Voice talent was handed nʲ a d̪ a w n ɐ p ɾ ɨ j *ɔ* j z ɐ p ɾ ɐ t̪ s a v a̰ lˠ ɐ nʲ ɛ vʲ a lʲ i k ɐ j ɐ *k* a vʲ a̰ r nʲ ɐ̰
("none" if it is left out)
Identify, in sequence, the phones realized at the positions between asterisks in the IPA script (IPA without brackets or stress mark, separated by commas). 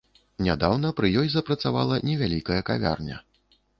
ɔ, k